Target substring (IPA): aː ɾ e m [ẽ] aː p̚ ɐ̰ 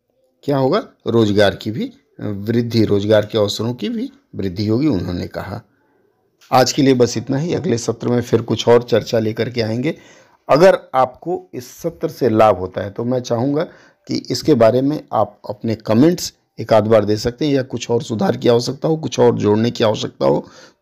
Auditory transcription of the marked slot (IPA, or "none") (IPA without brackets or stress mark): ẽ